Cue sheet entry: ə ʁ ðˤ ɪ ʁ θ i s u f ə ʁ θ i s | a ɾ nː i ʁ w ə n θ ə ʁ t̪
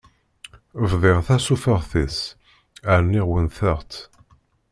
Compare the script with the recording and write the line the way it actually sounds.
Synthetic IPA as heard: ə v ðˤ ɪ ʁ θ æ s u f ə ʁ θ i s | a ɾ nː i ʁ w ə n θ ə ʁ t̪